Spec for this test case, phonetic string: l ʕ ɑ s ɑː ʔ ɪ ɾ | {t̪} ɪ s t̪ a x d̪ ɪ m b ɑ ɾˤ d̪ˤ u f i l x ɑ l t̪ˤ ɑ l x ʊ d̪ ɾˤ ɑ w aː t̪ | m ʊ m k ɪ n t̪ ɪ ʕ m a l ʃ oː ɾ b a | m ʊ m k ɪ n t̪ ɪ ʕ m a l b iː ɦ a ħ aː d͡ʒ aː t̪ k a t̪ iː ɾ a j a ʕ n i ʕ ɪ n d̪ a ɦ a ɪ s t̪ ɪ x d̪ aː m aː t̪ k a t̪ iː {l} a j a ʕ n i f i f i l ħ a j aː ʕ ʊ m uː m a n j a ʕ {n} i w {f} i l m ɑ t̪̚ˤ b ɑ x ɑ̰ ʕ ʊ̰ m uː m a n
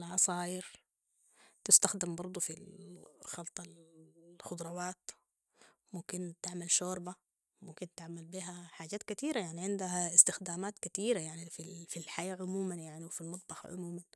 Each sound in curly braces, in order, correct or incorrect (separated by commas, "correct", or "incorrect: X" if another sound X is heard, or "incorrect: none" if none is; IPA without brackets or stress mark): correct, incorrect: ɾ, correct, correct